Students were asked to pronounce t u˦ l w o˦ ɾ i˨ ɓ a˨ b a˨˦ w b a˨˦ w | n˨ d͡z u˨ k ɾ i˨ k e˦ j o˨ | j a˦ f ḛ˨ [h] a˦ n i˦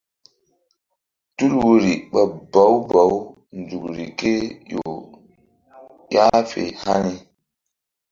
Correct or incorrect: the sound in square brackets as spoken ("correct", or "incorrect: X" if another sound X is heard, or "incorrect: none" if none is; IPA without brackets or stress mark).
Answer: correct